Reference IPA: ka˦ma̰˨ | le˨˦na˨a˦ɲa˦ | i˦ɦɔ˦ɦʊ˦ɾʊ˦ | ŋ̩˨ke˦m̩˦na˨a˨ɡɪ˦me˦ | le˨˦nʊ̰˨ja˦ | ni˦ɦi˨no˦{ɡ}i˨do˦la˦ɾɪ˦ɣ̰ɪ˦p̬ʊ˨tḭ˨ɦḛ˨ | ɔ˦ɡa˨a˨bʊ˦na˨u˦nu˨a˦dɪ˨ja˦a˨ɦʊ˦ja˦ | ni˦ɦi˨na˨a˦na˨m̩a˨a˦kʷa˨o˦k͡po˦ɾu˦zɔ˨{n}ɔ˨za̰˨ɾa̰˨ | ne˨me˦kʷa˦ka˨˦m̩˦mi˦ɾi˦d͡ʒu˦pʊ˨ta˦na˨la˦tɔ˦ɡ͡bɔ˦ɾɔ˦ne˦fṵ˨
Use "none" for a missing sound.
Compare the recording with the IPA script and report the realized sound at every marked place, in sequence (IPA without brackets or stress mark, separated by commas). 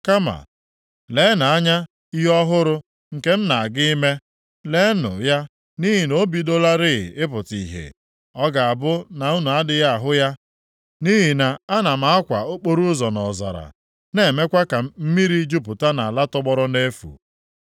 b, n